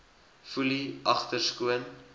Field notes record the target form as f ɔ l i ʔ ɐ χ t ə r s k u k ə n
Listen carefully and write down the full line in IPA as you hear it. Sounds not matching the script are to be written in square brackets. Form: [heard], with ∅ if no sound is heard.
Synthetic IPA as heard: f [u] l i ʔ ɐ χ t ə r s k u [∅] ə n